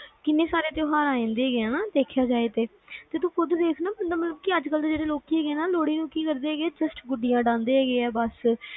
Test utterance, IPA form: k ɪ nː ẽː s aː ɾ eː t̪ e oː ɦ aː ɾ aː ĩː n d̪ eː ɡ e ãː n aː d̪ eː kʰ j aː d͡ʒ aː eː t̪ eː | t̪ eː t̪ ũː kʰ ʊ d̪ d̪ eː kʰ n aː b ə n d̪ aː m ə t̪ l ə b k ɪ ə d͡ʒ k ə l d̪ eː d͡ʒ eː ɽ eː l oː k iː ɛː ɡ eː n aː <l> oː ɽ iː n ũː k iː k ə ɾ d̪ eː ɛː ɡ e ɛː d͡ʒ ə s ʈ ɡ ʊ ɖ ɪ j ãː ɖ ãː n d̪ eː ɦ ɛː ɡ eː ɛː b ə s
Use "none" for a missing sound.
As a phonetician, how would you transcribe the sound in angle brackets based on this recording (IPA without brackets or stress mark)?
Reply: l